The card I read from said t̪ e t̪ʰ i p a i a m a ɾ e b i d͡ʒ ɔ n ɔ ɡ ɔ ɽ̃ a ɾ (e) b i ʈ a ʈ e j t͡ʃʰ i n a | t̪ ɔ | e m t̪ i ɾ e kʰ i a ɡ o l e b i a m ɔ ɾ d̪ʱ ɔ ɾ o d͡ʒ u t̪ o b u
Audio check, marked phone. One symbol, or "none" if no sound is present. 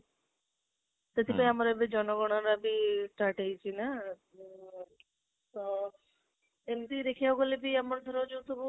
a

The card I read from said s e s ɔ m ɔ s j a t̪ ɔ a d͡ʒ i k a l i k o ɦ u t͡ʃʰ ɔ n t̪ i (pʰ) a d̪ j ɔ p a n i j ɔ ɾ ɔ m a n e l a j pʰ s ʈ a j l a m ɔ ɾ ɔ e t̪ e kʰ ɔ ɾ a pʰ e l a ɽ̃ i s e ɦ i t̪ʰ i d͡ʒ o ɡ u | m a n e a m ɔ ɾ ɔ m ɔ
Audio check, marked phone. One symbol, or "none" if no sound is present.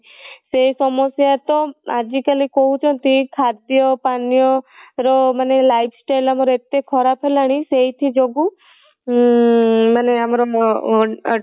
kʰ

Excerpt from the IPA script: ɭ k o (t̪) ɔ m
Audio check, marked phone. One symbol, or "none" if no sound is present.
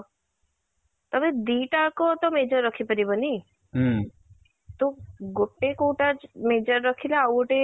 t̪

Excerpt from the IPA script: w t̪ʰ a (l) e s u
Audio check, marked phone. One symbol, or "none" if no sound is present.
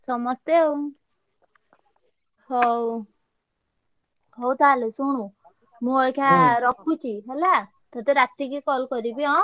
l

